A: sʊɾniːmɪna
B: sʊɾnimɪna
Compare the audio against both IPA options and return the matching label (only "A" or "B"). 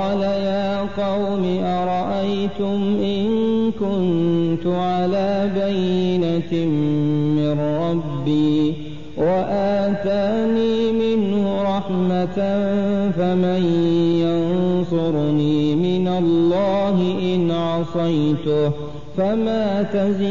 A